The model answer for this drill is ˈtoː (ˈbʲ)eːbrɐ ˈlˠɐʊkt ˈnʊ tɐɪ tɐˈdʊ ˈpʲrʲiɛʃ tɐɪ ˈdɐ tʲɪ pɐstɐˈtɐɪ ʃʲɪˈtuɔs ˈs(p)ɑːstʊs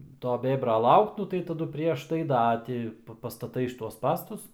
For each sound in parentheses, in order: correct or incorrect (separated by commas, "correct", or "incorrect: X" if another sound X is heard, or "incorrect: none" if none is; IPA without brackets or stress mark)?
correct, correct